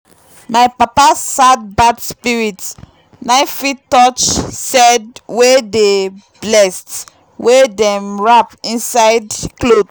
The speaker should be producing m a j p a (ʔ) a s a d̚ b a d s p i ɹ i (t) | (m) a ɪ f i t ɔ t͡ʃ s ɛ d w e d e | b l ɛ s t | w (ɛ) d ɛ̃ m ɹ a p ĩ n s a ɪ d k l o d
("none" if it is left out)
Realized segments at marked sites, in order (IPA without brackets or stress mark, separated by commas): p, t, n, e